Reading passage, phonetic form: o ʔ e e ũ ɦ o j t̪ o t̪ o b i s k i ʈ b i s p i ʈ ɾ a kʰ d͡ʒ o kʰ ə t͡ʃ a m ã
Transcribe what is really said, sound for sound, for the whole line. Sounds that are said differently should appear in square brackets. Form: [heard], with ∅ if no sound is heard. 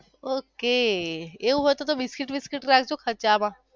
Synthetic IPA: o [k] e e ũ ɦ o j t̪ o t̪ o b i s k i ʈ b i s [k] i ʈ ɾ a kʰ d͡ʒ o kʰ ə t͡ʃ a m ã